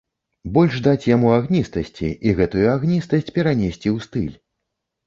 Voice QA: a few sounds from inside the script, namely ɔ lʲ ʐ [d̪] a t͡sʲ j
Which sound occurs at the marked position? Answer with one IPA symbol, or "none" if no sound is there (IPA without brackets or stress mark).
d̪